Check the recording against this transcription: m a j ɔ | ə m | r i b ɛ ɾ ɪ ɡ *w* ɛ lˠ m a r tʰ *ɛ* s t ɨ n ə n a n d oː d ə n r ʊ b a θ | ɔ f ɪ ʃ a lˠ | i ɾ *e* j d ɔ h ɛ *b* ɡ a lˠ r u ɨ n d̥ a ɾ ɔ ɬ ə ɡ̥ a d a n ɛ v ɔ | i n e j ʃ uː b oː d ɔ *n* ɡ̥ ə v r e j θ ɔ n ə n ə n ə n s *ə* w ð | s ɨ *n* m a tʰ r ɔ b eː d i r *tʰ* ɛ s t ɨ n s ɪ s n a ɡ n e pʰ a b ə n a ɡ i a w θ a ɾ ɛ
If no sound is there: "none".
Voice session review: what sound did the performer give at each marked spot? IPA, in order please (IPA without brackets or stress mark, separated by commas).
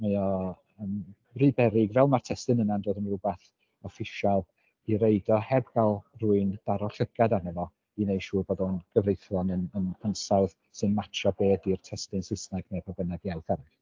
v, ɛ, e, b, n, a, n, tʰ